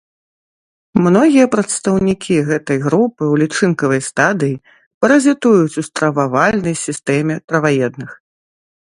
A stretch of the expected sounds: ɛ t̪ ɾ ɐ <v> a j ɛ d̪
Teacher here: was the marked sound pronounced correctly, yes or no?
yes